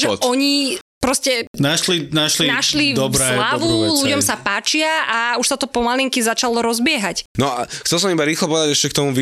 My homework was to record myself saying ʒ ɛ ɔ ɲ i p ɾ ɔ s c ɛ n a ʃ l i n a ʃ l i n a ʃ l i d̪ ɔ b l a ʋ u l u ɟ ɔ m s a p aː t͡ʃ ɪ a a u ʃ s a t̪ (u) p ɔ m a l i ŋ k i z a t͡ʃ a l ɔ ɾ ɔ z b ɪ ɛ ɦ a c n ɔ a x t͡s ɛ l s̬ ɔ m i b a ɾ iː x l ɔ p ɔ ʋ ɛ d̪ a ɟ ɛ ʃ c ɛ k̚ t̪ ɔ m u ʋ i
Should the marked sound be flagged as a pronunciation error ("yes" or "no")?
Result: yes